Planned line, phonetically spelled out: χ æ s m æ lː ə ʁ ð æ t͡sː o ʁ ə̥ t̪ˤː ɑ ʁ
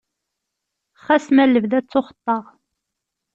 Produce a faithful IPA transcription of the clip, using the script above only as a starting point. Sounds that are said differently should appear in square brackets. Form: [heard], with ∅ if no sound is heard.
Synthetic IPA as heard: χ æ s m æ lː ə [v] ð æ t͡sː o [χ] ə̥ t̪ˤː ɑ ʁ